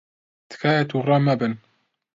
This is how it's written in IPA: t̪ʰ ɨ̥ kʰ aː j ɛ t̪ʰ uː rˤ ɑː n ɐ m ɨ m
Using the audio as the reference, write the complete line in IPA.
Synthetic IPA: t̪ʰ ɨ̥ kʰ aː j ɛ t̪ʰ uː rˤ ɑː m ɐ b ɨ n